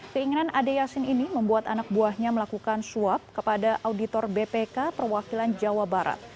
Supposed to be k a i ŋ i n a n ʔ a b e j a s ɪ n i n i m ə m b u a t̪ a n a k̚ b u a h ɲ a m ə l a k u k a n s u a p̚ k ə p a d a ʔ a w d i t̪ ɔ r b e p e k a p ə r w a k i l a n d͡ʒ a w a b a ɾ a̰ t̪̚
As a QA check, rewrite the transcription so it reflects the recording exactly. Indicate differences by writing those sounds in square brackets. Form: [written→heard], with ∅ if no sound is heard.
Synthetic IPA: k [a→ə] i ŋ i n a n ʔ a [b→d] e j a s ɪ n i n i m ə m b u a t̪ a n a k̚ b u a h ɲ a m ə l a k u k a n s u a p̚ k ə p a d a ʔ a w d i t̪ ɔ r b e p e k a p ə r w a k i l a n d͡ʒ a w a b a ɾ a̰ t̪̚

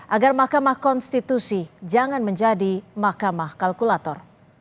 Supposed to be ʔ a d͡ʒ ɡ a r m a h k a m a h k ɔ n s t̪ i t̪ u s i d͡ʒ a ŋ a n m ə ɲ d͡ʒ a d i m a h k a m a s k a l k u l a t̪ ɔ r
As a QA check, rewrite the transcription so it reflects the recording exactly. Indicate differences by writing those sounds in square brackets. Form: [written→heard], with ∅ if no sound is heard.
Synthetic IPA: ʔ a [d͡ʒ→∅] ɡ a r m a h k a m a h k ɔ n s t̪ i t̪ u s i d͡ʒ a ŋ a n m ə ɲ d͡ʒ a d i m a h k a m a [s→h] k a l k u l a t̪ ɔ r

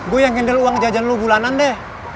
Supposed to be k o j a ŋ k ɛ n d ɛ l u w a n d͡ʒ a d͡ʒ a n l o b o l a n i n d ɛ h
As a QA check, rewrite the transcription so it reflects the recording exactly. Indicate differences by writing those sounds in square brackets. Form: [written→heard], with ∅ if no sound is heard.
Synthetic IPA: [k→ɡ] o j a ŋ k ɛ n d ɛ l u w a [n→ŋ] d͡ʒ a d͡ʒ a n l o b [o→u] l a n [i→a] n d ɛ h

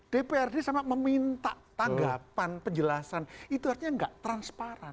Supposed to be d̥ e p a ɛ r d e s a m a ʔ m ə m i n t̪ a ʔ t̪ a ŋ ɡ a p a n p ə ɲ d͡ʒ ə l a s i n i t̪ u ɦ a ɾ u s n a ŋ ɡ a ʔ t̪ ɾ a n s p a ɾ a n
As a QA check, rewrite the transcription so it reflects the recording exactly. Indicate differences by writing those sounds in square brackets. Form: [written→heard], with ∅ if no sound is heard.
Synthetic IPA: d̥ e p [a→e] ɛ r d e s a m a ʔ m ə m i n t̪ a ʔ t̪ a ŋ ɡ a p a n p ə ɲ d͡ʒ ə l a s [i→a] n i t̪ u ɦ a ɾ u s [n→ɲ] a ŋ ɡ a ʔ t̪ ɾ a n s p a ɾ a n

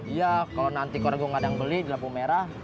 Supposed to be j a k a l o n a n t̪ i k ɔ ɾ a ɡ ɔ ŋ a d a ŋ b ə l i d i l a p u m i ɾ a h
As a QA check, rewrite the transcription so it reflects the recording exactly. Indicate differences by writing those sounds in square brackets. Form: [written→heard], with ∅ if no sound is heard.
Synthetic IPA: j a k a l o n a n t̪ i k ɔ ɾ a ɡ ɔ ŋ a d a ŋ b ə l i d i l a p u m [i→e] ɾ a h

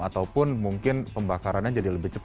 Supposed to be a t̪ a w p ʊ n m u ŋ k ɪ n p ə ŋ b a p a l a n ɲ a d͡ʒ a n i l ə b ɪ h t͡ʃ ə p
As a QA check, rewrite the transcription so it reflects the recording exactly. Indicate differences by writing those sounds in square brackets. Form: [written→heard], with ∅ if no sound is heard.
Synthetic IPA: a t̪ a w p ʊ n m u ŋ k ɪ n p ə [ŋ→m] b a [p→k] a [l→ɾ] a n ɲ a d͡ʒ a [n→d] i l ə b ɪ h t͡ʃ ə p

